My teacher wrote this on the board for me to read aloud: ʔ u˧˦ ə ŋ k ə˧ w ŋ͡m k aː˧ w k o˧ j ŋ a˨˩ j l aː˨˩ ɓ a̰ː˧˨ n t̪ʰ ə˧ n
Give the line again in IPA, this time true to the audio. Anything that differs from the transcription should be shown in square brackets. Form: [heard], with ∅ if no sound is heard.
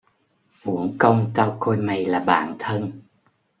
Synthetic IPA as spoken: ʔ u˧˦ ə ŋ k ə˧ w ŋ͡m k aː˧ w k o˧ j [m] a˨˩ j l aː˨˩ ɓ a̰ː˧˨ n t̪ʰ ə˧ n